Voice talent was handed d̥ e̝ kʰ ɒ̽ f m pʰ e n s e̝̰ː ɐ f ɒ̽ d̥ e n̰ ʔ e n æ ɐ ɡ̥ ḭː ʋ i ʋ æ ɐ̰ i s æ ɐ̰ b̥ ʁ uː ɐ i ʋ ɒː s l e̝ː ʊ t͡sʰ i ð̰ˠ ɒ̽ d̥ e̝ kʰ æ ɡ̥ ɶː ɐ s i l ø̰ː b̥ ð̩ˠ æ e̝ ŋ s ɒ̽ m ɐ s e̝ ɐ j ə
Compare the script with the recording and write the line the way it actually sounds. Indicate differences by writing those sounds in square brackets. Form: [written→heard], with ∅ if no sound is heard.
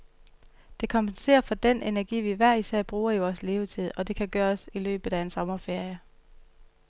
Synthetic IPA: d̥ e̝ kʰ ɒ̽ [f→∅] m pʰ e n s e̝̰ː ɐ f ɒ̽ d̥ e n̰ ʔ e n æ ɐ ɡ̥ ḭː ʋ i ʋ æ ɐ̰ i s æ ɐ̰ b̥ ʁ uː ɐ i ʋ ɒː s l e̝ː ʊ t͡sʰ i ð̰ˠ ɒ̽ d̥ e̝ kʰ æ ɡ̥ ɶː ɐ s i l ø̰ː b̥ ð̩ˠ æ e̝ [ŋ→n] s ɒ̽ m ɐ [s→f] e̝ ɐ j ə